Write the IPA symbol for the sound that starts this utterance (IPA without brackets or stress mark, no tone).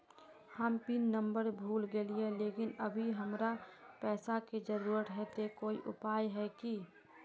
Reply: h